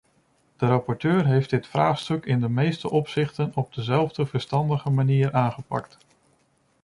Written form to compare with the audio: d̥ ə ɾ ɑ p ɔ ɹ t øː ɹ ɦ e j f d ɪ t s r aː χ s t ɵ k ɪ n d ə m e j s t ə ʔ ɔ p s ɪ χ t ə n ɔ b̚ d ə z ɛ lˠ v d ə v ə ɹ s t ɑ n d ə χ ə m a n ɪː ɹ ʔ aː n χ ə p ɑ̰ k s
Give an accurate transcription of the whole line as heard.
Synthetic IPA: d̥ ə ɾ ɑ p ɔ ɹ t øː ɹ ɦ e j f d ɪ t f r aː χ s t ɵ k ɪ n d ə m e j s t ə ʔ ɔ p s ɪ χ t ə n ɔ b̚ d ə z ɛ lˠ v d ə v ə ɹ s t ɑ n d ə χ ə m a n iː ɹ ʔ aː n χ ə p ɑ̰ k t

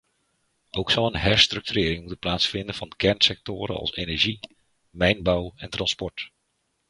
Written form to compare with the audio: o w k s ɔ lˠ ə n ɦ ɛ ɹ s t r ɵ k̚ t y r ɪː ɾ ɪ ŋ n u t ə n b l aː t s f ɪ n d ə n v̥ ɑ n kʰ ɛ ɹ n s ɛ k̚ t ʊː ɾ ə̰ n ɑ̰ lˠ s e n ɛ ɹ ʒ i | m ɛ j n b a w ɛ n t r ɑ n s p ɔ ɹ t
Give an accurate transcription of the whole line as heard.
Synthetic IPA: o w k s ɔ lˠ ə n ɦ ɛ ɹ s t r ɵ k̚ t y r ɪː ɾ ɪ ŋ m u t ə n p l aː t s f ɪ n d ə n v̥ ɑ n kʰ ɛ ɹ n s ɛ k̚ t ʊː ɾ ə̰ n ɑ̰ lˠ s e n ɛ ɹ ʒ i | m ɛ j n b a w ɛ n t r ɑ n s p ɔ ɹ t

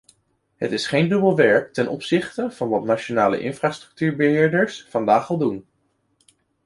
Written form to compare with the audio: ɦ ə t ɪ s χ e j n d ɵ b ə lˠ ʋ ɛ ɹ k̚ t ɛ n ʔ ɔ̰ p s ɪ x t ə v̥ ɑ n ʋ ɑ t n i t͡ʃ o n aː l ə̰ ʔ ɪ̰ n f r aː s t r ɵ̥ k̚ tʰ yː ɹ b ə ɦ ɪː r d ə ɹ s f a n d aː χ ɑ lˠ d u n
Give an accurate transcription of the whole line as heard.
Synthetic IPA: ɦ ə t ɪ s χ e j n d ɵ b ə lˠ ʋ ɛ ɹ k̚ t ɛ n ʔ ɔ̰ p s ɪ χ t ə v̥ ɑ n ʋ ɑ t n a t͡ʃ o n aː l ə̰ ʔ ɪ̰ n f r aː s t r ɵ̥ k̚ t yː ɹ b ə ɦ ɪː ɹ d ə ɹ s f ɑ n d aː χ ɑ lˠ d u n

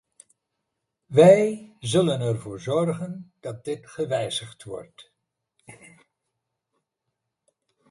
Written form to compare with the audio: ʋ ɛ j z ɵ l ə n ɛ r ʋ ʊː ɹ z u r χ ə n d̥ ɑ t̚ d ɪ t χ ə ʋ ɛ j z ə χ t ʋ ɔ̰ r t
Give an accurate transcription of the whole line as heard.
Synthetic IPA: ʋ ɛ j z ɵ l ə n ɛ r v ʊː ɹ z ɔ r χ ə n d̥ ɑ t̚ d ɪ t χ ə ʋ ɛ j z ə χ t ʋ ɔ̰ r t

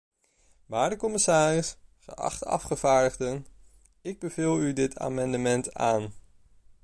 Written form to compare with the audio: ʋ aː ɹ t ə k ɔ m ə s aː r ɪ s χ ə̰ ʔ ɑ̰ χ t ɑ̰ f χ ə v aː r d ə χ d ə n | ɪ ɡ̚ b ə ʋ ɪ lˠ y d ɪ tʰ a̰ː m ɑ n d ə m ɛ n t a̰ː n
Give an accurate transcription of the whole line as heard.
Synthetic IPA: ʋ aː ɹ d ə k ɔ m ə s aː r ɪ s χ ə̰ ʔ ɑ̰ χ t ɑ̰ f χ ə v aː ɹ d ə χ d ə n | ɪ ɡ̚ b ə v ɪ lˠ y d ɪ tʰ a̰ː m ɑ n d ə m ɛ n t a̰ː n

